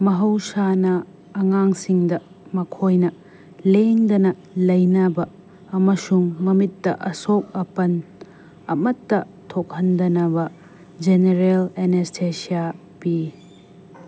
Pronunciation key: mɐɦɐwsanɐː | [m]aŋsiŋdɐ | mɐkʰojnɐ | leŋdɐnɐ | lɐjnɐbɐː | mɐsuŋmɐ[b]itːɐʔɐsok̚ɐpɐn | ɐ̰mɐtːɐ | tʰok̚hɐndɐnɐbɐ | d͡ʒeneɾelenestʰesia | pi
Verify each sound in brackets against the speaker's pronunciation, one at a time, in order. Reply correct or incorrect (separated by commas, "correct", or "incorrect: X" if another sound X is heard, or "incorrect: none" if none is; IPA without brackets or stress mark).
incorrect: ŋ, incorrect: m